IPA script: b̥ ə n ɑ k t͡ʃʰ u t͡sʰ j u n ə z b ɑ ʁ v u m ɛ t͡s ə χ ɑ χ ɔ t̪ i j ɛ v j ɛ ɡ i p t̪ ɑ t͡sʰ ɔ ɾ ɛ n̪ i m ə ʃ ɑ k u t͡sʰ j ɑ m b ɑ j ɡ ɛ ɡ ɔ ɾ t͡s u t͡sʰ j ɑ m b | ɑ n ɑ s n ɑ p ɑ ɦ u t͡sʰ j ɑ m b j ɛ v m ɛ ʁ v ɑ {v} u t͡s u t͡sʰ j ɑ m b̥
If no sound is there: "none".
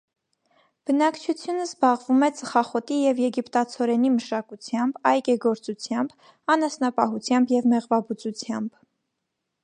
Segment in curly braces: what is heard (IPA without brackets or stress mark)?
b